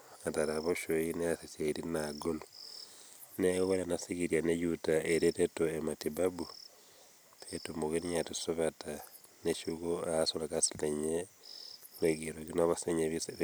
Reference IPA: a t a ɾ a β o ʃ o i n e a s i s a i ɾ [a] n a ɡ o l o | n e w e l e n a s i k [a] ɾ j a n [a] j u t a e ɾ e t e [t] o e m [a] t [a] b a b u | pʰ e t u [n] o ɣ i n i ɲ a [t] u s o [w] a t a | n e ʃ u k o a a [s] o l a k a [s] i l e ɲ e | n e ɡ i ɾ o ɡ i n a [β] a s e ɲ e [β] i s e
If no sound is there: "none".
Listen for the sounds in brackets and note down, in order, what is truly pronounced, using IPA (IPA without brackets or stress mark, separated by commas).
i, i, e, t, a, i, m, t, β, s, s, β, β